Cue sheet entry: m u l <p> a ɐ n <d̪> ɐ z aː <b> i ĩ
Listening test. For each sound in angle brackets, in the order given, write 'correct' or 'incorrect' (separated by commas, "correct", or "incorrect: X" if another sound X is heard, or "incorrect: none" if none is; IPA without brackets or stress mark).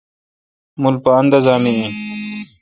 correct, correct, incorrect: m